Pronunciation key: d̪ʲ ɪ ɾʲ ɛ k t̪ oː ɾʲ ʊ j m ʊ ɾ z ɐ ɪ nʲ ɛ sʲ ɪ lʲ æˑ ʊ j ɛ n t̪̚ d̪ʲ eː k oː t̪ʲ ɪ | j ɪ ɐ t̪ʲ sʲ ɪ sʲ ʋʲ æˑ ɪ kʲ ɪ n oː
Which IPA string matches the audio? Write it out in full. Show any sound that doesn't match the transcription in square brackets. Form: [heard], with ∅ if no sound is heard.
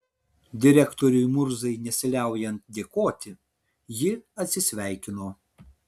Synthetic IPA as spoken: d̪ʲ ɪ ɾʲ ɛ k t̪ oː ɾʲ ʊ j m ʊ ɾ z ɐ ɪ nʲ ɛ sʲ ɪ lʲ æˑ ʊ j ɛ n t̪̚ d̪ʲ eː k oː t̪ʲ ɪ | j ɪ ɐ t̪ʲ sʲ ɪ sʲ ʋʲ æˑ ɪ kʲ ɪ n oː